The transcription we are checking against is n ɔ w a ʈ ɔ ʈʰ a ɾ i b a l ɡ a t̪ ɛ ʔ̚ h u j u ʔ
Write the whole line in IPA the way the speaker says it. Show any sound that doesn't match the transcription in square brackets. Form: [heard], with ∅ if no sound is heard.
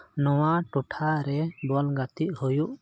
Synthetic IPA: n ɔ w a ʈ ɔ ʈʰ a ɾ [ɛ] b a l ɡ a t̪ [i] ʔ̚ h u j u ʔ